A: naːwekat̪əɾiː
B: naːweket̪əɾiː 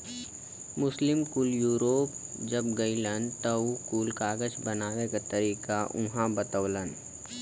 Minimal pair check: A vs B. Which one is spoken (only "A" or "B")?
A